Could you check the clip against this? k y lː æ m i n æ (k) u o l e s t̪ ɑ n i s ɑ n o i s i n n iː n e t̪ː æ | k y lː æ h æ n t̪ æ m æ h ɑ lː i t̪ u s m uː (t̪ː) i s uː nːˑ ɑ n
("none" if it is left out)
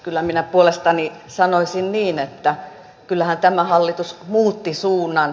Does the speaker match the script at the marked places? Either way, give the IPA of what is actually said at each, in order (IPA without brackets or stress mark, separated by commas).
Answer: p, t̪ː